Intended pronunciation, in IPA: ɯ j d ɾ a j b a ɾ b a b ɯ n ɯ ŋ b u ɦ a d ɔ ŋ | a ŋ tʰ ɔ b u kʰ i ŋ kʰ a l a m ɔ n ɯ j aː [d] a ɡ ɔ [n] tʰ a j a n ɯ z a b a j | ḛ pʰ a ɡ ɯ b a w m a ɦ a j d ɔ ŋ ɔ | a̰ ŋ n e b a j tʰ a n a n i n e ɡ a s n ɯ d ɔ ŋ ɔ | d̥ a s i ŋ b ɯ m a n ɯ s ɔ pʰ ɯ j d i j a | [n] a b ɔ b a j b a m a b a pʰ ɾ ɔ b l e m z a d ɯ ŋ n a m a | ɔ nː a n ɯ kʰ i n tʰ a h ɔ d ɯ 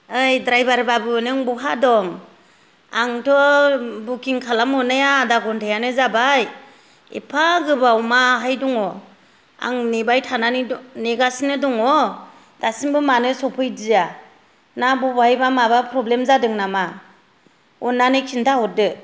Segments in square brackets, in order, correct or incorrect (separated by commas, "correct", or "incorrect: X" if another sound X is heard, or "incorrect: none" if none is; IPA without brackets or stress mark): correct, correct, correct